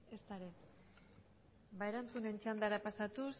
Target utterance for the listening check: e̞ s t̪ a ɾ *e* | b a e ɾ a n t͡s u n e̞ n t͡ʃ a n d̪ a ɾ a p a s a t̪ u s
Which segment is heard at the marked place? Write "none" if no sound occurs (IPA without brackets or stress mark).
e